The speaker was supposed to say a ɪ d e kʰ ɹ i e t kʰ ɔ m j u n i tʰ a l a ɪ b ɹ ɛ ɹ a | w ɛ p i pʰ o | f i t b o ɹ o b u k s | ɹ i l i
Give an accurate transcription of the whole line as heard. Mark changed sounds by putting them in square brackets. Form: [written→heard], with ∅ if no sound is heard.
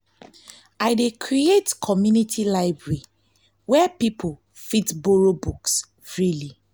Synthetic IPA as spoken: a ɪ d e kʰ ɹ i e t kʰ ɔ m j u n i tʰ [a→i] l a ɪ b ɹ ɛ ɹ [a→i] | w ɛ p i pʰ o | f i t b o ɹ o b u k s | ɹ i l i